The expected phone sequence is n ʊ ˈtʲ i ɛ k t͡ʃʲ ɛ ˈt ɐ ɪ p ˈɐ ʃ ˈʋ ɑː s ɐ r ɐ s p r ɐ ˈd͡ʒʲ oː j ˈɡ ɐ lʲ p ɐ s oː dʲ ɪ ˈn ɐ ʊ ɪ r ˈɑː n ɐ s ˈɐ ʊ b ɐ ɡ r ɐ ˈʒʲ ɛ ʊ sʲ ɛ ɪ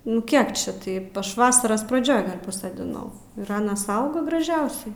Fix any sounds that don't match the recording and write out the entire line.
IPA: n ʊ ˈkʲ i ɛ k t͡ʃʲ ɛ ˈt ɐ ɪ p ˈɐ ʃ ˈʋ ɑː s ɐ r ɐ s p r ɐ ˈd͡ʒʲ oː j ˈɡ ɐ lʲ p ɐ s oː dʲ ɪ ˈn ɐ ʊ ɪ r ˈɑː n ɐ s ˈɐ ʊ ɡ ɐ ɡ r ɐ ˈʒʲ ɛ ʊ sʲ ɛ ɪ